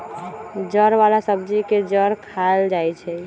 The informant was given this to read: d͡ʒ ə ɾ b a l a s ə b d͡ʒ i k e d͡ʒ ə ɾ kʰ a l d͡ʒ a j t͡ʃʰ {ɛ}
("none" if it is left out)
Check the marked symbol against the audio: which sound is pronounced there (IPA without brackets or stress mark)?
ɛ